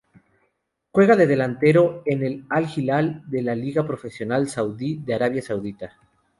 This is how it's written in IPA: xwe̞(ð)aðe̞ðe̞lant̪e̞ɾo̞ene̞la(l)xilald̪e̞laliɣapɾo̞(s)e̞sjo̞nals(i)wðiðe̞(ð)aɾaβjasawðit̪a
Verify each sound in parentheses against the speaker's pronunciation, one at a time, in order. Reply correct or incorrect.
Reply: incorrect, correct, incorrect, incorrect, incorrect

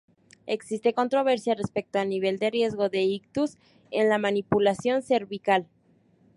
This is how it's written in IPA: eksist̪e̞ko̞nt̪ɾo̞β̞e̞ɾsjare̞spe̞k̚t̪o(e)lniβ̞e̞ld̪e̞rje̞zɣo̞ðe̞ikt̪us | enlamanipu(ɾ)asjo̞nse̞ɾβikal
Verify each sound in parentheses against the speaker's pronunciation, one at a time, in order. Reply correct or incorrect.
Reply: incorrect, incorrect

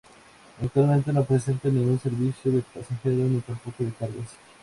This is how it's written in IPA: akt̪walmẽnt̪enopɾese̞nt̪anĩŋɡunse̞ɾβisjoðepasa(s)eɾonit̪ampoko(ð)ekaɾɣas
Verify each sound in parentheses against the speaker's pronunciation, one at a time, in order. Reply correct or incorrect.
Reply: incorrect, correct

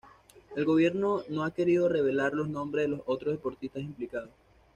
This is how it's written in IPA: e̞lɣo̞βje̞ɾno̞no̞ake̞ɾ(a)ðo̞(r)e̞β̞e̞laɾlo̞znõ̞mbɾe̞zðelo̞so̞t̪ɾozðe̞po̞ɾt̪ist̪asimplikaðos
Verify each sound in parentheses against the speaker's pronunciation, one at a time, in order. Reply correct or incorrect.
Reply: incorrect, correct

